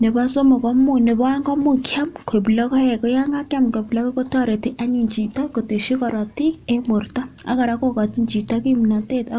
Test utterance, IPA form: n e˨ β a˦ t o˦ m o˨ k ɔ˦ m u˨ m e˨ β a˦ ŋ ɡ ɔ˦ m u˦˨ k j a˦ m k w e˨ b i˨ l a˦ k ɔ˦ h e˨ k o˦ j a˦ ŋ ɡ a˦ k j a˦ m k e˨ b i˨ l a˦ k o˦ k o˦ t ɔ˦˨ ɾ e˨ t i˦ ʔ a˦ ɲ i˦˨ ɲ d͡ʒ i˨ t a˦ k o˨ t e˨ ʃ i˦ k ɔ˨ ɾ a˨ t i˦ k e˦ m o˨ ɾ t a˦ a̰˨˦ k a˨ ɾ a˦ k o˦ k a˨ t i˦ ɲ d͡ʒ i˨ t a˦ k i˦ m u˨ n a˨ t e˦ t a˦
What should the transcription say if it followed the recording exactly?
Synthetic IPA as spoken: n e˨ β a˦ s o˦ m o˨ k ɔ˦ m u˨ n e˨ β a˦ ŋ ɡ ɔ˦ m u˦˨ k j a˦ m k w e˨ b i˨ l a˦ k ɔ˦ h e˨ k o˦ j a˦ ŋ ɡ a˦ k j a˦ m k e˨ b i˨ l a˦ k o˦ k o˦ t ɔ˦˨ ɾ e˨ t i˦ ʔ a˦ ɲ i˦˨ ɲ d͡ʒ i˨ t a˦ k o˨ t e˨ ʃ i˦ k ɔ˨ ɾ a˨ t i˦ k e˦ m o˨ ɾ t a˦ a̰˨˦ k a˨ ɾ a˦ k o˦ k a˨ t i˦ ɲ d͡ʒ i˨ t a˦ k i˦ m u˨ n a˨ t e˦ t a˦